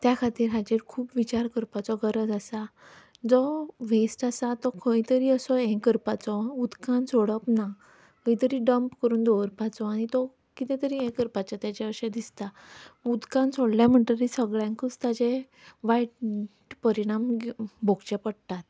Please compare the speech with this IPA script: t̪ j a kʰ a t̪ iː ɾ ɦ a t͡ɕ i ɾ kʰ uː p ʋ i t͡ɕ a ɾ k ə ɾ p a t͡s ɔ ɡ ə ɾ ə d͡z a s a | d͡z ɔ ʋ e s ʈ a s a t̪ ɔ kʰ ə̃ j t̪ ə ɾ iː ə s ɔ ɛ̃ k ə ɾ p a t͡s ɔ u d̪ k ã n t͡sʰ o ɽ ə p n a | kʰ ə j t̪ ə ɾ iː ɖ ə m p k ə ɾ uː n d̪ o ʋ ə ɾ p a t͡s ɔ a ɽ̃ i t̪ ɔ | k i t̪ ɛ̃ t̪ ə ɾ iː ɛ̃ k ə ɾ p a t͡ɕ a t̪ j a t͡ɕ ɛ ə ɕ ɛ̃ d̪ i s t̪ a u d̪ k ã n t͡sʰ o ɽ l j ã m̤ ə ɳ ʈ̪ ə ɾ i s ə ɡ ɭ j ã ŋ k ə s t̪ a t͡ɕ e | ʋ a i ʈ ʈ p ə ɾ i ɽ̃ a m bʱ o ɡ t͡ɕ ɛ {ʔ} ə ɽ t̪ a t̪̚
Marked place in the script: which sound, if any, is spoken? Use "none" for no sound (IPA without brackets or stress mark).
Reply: p